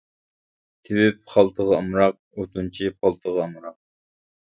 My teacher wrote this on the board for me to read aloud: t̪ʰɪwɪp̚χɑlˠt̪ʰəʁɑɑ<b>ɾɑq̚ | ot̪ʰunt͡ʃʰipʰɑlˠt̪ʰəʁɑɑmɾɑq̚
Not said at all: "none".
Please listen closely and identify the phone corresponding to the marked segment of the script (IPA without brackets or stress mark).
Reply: m